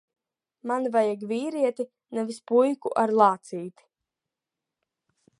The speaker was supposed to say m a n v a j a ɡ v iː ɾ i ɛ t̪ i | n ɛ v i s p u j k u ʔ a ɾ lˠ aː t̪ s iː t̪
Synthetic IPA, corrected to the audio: m a n v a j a ɡ v iː ɾ i ɛ t̪ i | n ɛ v i s p u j k u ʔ a ɾ lˠ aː t̪ s iː t̪